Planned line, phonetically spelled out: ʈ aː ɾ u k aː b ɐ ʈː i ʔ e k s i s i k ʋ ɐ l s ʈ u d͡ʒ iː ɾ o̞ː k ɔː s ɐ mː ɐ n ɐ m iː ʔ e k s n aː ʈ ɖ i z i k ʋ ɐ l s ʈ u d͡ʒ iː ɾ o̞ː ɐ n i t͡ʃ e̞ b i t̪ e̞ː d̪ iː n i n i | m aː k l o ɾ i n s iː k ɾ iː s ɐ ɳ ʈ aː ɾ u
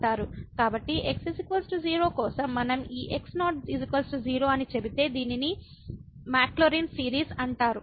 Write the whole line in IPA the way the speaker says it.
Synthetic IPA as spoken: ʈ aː ɾ u k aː b ɐ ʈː i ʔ e k s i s i k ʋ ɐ l s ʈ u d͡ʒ iː ɾ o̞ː k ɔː s ɐ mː ɐ n ɐ m iː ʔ e k s n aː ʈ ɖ i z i k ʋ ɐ l s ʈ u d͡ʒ iː ɾ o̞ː ɐ n i t͡ʃ e̞ b i t̪ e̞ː d̪ iː n i n i | m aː k l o ɾ i n s iː ɾ iː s ɐ ɳ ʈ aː ɾ u

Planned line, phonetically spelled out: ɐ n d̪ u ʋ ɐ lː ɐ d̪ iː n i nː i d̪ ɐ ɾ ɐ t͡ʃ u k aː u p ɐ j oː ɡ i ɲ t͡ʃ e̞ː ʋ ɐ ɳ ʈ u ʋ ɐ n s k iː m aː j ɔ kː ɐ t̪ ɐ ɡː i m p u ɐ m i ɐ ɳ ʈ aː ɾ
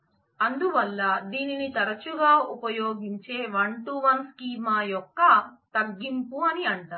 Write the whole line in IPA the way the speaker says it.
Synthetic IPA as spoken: ɐ n d̪ u ʋ ɐ lː ɐ d̪ iː n i n i t̪ ɐ ɾ ɐ t͡ʃ u ɡ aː u p ɐ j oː ɡ i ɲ t͡ʃ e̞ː ʋ ɐ ɳ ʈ u ʋ ɐ n s k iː m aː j ɔ kː ɐ t̪ ɐ ɡː i m p u ɐ n i ɐ ɳ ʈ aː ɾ

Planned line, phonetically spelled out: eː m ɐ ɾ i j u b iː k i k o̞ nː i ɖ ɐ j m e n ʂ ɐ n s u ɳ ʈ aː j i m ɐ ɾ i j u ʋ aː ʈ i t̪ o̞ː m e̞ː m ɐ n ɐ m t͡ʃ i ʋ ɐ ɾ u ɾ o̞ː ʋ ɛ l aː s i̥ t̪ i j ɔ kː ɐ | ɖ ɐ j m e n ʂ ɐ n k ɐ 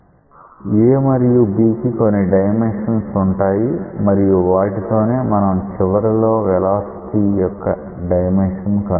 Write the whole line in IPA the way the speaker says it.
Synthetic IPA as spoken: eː m ɐ ɾ i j u b iː k i k o̞ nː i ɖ ɐ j m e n ʂ ɐ n s u ɳ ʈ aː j i m ɐ ɾ i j u ʋ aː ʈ i t̪ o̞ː n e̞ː m ɐ n ɐ m t͡ʃ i ʋ ɐ ɾ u l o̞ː ʋ ɛ l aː s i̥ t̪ i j ɔ kː ɐ | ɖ ɐ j m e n ʂ ɐ n k ɐ

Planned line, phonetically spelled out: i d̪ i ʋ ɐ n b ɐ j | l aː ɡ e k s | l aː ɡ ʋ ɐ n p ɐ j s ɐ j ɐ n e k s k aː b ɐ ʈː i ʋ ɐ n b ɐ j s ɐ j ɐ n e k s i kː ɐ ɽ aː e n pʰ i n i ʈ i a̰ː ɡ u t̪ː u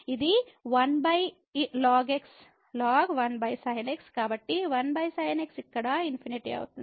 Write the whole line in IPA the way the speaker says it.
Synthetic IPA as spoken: i d̪ i ʋ ɐ n b ɐ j | l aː ɡ e k s | l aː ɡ ʋ ɐ n b ɐ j s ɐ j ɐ n e k s k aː b ɐ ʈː i ʋ ɐ n b ɐ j s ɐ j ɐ n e k s i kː ɐ ɽ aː i n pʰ i n i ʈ i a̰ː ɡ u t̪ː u

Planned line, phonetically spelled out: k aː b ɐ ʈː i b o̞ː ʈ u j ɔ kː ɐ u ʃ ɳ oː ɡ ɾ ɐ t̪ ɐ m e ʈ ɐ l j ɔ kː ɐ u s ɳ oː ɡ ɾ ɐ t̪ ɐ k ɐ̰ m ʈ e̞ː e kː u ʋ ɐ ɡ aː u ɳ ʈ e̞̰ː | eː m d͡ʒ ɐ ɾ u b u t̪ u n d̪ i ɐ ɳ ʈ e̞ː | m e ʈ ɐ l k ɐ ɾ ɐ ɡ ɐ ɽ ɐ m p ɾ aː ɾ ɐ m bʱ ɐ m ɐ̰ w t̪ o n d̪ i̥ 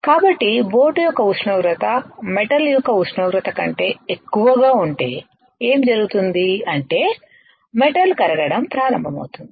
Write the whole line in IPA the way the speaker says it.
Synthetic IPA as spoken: k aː b ɐ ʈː i b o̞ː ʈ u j ɔ kː ɐ u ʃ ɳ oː ɡ ɾ ɐ t̪ ɐ m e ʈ ɐ l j ɔ kː ɐ u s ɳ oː ɡ ɾ ɐ t̪ ɐ k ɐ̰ ɳ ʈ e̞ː e kː u ʋ ɐ ɡ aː u ɳ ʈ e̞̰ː | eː m d͡ʒ ɐ ɾ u ɡ u t̪ u n d̪ i ɐ ɳ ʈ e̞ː | m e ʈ ɐ l k ɐ ɾ ɐ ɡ ɐ ɽ ɐ m p ɾ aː ɾ ɐ m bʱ ɐ m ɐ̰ w t̪ u n d̪ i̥

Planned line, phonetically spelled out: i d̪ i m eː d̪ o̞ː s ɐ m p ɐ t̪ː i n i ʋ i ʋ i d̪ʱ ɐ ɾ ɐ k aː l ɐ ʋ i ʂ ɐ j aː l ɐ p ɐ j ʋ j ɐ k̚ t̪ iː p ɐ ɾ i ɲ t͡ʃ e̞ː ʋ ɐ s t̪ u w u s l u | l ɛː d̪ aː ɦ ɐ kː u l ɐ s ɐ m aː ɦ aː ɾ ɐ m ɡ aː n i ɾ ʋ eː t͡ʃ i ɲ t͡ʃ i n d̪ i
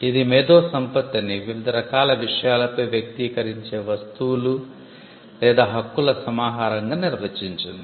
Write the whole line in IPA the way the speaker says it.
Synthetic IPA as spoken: i d̪ i m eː d̪ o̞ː s ɐ m p ɐ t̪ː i n i ʋ i ʋ i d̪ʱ ɐ ɾ ɐ k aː l ɐ ʋ i ʂ ɐ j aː l ɐ p ɐ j ʋ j ɐ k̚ t̪ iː k ɐ ɾ i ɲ t͡ʃ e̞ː ʋ ɐ s t̪ u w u l u | l ɛː d̪ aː ɦ ɐ kː u l ɐ s ɐ m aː ɦ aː ɾ ɐ ŋ ɡ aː n i ɾ ʋ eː t͡ʃ i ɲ t͡ʃ i n d̪ i

